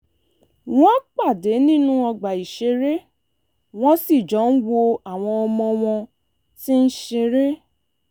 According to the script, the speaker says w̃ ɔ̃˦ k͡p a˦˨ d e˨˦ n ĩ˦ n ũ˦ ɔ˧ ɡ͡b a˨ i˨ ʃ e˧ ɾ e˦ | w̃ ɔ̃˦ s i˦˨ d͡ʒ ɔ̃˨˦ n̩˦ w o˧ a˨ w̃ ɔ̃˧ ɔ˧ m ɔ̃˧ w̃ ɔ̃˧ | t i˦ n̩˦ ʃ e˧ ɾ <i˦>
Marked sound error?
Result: yes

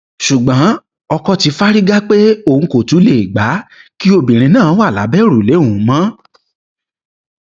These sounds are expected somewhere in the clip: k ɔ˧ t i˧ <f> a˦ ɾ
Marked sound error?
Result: no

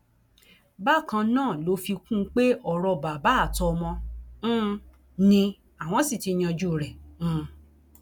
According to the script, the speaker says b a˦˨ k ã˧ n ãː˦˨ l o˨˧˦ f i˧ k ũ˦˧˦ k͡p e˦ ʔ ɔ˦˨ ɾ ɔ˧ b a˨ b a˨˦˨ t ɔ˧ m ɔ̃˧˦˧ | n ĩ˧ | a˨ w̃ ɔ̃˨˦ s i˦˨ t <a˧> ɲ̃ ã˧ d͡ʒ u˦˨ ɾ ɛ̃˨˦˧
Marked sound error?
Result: yes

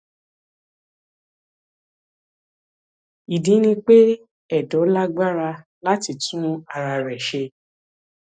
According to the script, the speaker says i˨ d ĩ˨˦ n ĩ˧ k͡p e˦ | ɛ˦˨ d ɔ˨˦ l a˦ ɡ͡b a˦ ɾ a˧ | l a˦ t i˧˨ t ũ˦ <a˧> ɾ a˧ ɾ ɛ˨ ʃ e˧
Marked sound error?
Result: no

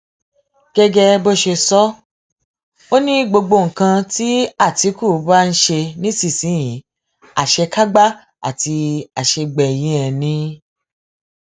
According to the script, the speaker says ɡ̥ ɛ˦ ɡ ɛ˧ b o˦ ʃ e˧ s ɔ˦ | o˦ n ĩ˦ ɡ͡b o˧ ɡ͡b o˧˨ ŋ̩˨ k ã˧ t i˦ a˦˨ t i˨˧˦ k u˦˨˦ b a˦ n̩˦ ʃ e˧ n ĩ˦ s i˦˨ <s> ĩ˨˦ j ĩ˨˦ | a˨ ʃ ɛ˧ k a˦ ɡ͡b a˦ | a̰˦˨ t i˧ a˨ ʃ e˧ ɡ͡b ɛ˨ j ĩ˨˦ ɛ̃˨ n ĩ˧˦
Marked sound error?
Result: no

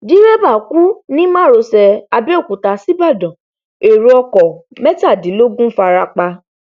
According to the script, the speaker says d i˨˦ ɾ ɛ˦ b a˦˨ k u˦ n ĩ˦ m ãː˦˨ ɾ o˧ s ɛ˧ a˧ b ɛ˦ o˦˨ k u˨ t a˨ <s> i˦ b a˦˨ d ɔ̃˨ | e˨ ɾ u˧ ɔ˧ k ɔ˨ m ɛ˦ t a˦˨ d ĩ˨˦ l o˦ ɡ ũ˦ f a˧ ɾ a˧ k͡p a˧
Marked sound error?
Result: no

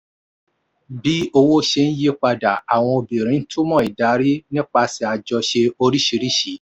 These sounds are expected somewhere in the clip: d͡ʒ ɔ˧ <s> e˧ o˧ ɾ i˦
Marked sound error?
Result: yes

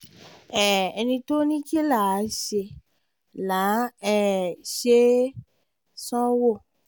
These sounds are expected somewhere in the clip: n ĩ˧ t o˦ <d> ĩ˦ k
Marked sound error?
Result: yes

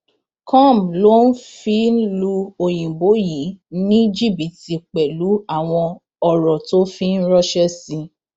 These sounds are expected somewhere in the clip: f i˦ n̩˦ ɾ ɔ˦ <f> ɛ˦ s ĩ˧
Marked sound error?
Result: yes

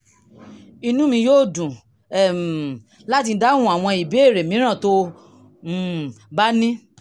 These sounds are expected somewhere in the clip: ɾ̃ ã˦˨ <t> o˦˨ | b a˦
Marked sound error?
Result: no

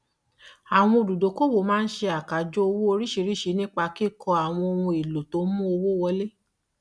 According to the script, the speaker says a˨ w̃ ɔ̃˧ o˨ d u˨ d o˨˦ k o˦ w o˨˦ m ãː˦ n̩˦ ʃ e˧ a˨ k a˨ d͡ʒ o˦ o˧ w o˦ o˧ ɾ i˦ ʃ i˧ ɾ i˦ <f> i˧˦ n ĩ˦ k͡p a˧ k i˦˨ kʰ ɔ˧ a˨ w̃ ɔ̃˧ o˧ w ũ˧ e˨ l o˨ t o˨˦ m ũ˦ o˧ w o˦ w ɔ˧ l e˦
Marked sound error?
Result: yes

